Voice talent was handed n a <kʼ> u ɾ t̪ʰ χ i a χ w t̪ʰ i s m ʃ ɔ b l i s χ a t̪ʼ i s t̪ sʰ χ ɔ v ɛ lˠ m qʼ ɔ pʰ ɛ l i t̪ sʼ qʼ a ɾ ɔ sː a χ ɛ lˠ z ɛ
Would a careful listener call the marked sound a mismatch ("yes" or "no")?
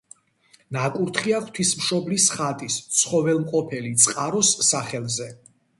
no